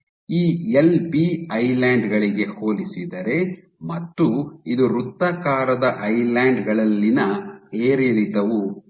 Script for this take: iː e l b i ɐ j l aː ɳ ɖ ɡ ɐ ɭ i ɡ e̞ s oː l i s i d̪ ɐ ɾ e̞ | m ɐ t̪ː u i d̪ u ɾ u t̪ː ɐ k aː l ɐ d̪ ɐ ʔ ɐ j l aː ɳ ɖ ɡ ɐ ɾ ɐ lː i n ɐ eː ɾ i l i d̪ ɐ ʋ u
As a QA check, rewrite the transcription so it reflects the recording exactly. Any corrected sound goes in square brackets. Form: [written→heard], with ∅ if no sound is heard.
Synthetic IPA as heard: iː e l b i ɐ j l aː ɳ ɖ ɡ ɐ ɭ i ɡ e̞ [s→h] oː l i s i d̪ ɐ ɾ e̞ | m ɐ t̪ː u i d̪ u ɾ u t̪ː ɐ k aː [l→ɾ] ɐ d̪ ɐ ʔ ɐ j l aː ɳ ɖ ɡ ɐ [ɾ→ɭ] ɐ lː i n ɐ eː ɾ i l i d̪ ɐ ʋ u

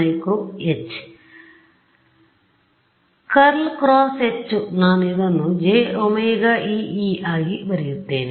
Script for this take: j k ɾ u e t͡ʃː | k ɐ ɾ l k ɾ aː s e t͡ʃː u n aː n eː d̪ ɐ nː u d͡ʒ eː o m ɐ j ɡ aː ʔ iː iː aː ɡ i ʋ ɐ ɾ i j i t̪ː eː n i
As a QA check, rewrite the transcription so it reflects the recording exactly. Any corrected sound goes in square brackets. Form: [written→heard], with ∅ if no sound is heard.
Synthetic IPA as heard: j k ɾ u e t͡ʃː | k ɐ ɾ l k ɾ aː s e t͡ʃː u n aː n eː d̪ ɐ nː u d͡ʒ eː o m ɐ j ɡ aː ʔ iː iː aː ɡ i ʋ ɐ ɾ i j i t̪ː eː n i

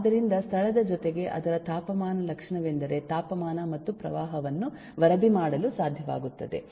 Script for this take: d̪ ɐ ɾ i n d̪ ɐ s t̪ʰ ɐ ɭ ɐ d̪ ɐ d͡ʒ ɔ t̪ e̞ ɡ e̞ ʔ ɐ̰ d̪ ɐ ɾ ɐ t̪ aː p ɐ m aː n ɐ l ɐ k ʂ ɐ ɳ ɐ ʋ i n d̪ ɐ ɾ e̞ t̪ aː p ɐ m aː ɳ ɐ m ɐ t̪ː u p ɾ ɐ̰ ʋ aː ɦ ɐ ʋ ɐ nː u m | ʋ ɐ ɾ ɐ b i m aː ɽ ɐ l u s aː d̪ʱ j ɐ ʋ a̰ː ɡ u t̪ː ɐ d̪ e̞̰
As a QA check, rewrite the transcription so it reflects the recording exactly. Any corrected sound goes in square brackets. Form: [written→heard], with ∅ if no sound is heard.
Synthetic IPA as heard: d̪ ɐ ɾ i n d̪ ɐ s t̪ʰ ɐ ɭ ɐ d̪ ɐ d͡ʒ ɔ t̪ e̞ ɡ e̞ ʔ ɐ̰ d̪ ɐ ɾ ɐ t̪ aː p ɐ m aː n ɐ l ɐ k ʂ ɐ ɳ ɐ ʋ [i→e] n d̪ ɐ ɾ e̞ t̪ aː p ɐ m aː [ɳ→n] ɐ m ɐ t̪ː u p ɾ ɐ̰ ʋ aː ɦ ɐ ʋ ɐ nː u [m→∅] | ʋ ɐ ɾ ɐ b i m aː ɽ ɐ l u s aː d̪ʱ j ɐ ʋ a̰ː ɡ u t̪ː ɐ d̪ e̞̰

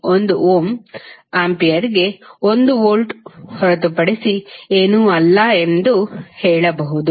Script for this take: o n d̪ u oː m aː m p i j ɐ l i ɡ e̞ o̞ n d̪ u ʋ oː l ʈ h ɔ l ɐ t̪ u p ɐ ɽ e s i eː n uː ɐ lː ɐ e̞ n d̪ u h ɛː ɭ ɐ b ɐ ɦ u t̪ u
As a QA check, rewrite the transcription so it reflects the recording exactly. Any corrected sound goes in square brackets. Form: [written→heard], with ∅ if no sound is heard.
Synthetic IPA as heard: o n d̪ u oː m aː m p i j ɐ [l→ɾ] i ɡ e̞ o̞ n d̪ u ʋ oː l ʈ h ɔ [l→ɾ] ɐ t̪ u p ɐ ɽ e s i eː n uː ɐ lː ɐ e̞ n d̪ u h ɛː ɭ ɐ b ɐ ɦ u [t̪→d̪] u

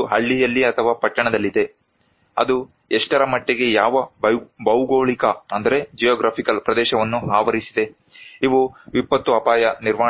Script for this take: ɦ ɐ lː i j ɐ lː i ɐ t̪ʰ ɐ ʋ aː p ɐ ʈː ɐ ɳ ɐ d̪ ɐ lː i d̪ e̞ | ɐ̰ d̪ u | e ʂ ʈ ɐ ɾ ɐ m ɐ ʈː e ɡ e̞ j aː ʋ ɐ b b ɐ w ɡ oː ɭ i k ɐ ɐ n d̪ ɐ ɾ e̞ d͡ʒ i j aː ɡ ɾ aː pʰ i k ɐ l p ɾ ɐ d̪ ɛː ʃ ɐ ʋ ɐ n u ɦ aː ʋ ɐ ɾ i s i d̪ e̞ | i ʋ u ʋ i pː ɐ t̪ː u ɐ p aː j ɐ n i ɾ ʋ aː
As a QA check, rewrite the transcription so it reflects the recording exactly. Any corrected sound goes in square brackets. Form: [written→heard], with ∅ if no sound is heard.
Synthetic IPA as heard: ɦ ɐ [lː→ɭː] i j ɐ lː i ɐ t̪ʰ ɐ ʋ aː p ɐ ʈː ɐ ɳ ɐ d̪ ɐ lː i d̪ e̞ | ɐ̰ d̪ u | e ʂ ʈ ɐ ɾ ɐ m ɐ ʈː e ɡ e̞ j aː ʋ ɐ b b ɐ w ɡ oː ɭ i k ɐ ɐ n d̪ ɐ ɾ e̞ d͡ʒ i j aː ɡ ɾ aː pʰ i k ɐ l p ɾ ɐ d̪ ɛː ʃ ɐ ʋ ɐ [n→nː] u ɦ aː ʋ ɐ ɾ i s i d̪ e̞ | i ʋ u ʋ i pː ɐ t̪ː u ɐ p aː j ɐ n i ɾ ʋ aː

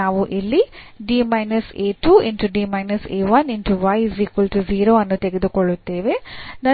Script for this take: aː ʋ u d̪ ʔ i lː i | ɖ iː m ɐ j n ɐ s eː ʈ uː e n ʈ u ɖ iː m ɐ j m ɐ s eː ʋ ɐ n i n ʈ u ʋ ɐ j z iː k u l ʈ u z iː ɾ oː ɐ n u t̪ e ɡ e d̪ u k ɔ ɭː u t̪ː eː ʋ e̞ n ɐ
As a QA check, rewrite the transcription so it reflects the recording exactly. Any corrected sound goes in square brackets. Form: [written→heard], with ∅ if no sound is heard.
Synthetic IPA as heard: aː ʋ u [d̪→∅] ʔ i lː i | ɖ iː m ɐ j n ɐ s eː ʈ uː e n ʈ u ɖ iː m ɐ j [m→n] ɐ s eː ʋ ɐ n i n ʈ u ʋ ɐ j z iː k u l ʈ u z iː ɾ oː ɐ [n→nː] u t̪ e ɡ e d̪ u k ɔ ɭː u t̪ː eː ʋ e̞ n ɐ

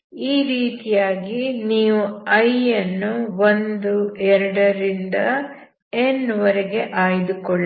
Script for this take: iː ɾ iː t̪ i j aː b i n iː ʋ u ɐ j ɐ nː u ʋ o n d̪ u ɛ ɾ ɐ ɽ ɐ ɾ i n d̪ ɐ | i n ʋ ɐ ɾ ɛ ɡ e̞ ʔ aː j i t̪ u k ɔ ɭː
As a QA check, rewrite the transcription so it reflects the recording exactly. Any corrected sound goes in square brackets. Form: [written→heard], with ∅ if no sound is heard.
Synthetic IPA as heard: iː ɾ iː t̪ i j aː [b→ɡ] i n iː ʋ u ɐ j ɐ nː u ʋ o n d̪ u ɛ ɾ ɐ ɽ ɐ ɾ i n d̪ ɐ | [i→e] n ʋ ɐ ɾ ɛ ɡ e̞ ʔ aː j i [t̪→d̪] u k ɔ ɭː

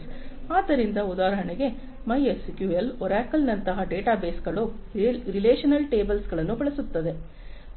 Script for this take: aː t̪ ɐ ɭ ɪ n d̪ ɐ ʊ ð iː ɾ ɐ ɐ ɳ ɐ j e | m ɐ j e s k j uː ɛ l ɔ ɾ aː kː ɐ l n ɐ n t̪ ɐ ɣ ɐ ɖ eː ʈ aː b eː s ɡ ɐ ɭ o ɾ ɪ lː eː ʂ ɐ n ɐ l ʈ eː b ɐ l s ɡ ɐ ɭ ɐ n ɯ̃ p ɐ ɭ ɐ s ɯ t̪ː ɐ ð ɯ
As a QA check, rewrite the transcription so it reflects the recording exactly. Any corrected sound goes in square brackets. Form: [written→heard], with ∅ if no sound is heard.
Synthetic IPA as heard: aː t̪ ɐ [ɭ→ɾ] ɪ n d̪ ɐ ʊ ð [iː→aː] ɾ ɐ ɐ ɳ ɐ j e | m ɐ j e s k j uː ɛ l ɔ ɾ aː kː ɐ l n ɐ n t̪ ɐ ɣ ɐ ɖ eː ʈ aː b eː s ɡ ɐ ɭ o ɾ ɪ [lː→l] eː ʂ ɐ n ɐ l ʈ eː b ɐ l s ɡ ɐ ɭ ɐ n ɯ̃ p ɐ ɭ ɐ s ɯ t̪ː ɐ ð ɯ

